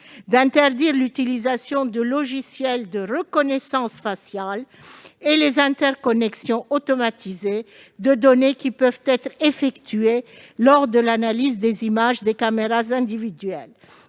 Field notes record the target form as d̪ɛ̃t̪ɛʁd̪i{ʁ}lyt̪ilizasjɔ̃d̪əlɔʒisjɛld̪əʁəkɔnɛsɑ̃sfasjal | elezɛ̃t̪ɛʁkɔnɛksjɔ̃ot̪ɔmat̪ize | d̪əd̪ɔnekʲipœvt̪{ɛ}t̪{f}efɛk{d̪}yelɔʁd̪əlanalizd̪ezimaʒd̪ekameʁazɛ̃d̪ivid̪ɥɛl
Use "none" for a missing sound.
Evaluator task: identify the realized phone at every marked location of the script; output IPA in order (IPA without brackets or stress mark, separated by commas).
ʁ, ɛ, χ, t̪